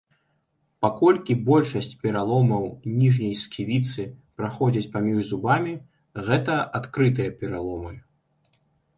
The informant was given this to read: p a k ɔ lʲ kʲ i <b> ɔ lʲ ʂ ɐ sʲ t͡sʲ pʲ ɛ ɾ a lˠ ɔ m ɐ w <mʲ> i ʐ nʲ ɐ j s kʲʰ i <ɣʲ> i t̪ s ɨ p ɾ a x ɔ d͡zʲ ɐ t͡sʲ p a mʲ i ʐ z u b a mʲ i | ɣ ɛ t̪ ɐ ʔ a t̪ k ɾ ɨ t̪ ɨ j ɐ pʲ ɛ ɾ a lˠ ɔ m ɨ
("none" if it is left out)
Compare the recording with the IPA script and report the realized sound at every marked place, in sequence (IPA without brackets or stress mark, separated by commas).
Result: b, nʲ, vʲ